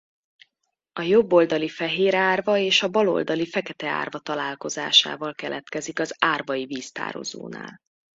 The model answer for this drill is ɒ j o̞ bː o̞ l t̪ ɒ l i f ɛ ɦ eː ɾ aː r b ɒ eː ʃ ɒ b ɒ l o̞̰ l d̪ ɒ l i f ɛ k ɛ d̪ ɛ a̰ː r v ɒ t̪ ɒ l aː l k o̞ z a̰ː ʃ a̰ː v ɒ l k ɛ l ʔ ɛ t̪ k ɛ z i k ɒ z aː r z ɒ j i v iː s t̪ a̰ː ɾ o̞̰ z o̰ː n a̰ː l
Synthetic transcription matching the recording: ɒ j o̞ bː o̞ l d̪ ɒ l i f ɛ ɦ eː ɾ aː r v ɒ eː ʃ ɒ b ɒ l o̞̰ l d̪ ɒ l i f ɛ k ɛ t̪ ɛ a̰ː r v ɒ t̪ ɒ l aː l k o̞ z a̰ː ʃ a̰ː v ɒ l k ɛ l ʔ ɛ t̪ k ɛ z i k ɒ z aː r v ɒ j i v iː s t̪ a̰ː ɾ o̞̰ z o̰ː n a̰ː l